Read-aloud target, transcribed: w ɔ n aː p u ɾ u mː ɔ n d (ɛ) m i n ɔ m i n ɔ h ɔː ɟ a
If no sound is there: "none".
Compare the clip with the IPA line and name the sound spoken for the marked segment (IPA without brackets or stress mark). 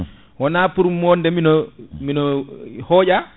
ɛ